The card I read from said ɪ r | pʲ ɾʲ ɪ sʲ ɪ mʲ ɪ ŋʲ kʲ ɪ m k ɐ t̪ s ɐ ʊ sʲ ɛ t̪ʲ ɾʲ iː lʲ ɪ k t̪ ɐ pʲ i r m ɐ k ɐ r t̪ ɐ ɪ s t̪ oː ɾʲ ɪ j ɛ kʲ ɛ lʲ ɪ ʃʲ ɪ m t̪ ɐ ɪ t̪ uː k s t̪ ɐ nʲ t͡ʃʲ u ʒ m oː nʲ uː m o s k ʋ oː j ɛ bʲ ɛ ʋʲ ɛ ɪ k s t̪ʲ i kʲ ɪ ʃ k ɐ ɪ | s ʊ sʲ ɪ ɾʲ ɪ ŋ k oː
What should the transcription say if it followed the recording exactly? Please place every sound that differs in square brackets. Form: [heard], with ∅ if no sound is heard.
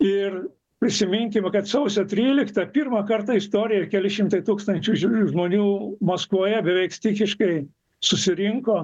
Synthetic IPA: ɪ r | pʲ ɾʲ ɪ sʲ ɪ mʲ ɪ ŋʲ kʲ ɪ m k ɐ t̪ s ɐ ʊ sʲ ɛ t̪ʲ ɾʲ iː lʲ ɪ k t̪ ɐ pʲ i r m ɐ k ɐ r t̪ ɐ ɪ s t̪ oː ɾʲ ɪ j ɛ kʲ ɛ lʲ ɪ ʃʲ ɪ m t̪ ɐ ɪ t̪ uː k s t̪ ɐ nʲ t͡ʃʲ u ʒ m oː nʲ uː m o s k ʋ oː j ɛ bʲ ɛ ʋʲ ɛ ɪ k s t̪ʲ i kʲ ɪ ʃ k ɐ ɪ | s ʊ sʲ ɪ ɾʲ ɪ ŋ k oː